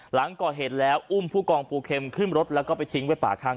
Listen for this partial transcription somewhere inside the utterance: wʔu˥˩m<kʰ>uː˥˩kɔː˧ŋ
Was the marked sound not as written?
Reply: yes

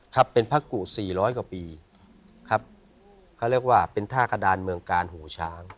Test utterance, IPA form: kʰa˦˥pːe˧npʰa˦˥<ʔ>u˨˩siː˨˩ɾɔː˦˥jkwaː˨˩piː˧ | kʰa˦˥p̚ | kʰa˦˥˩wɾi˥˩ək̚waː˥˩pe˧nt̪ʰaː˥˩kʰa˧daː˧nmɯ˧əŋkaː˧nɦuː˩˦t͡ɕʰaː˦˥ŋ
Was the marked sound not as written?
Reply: yes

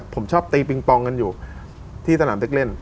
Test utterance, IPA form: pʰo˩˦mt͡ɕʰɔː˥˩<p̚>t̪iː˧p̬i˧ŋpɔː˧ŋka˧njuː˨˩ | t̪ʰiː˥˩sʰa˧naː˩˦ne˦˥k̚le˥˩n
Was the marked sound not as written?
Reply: no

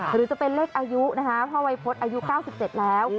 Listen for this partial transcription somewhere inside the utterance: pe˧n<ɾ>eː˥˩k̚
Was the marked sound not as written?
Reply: yes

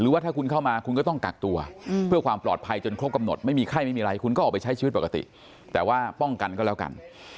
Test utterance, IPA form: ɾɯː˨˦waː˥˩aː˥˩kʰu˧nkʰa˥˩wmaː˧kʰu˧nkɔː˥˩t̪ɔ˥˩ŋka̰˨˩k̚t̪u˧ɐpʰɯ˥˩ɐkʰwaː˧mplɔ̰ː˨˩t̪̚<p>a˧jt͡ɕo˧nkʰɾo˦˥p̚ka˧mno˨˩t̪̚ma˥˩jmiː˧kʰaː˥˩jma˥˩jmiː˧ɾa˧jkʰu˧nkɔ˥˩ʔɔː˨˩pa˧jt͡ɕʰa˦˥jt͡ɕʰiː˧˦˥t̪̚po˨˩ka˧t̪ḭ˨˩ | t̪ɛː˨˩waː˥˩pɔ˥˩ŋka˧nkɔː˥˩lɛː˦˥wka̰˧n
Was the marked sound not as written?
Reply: yes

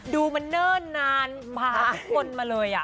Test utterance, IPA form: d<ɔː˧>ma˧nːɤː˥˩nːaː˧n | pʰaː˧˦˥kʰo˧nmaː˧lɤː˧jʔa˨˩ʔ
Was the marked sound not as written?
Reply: yes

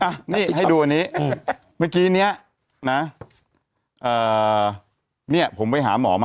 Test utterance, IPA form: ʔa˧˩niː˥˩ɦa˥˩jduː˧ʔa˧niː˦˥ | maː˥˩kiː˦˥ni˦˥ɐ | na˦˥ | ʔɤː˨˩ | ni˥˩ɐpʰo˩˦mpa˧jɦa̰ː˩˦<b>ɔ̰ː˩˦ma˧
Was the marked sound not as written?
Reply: yes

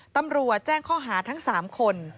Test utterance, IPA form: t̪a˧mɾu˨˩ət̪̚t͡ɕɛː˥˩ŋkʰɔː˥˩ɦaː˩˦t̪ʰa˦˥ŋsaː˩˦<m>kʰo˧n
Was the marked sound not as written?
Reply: no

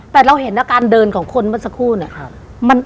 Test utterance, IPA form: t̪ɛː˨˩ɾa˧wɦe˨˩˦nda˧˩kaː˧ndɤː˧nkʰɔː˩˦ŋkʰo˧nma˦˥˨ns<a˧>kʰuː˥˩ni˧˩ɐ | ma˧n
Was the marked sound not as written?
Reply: no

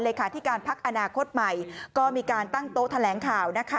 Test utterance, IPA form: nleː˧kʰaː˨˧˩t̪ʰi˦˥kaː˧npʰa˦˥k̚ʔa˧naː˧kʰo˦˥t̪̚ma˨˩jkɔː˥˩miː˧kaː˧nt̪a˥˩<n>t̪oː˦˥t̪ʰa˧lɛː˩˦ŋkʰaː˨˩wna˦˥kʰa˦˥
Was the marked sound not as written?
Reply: yes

